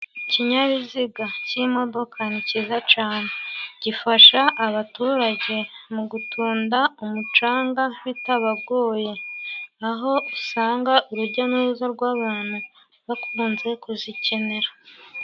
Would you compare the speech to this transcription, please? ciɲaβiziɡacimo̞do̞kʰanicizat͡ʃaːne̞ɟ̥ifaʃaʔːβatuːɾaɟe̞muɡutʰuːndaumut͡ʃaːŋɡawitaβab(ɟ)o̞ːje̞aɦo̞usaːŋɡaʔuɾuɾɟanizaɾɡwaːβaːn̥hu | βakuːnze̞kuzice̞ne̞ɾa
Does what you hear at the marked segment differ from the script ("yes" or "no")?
yes